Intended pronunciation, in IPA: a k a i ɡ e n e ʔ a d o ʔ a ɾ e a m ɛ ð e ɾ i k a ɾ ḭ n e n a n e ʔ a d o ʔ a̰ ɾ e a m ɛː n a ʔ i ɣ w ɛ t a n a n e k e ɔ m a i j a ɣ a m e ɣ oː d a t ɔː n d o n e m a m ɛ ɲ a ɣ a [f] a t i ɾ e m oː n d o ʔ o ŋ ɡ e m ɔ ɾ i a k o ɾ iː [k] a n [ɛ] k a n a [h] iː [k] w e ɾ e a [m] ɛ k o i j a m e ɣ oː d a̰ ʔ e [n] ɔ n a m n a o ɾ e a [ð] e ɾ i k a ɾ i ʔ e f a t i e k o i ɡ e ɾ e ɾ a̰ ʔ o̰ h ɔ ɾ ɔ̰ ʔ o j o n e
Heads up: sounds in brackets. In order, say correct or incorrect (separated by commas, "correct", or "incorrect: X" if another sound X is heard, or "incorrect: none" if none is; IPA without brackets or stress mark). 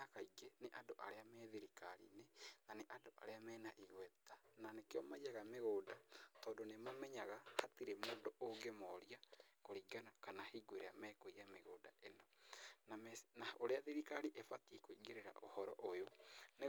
incorrect: h, incorrect: ɡ, incorrect: a, correct, incorrect: ɡ, correct, correct, correct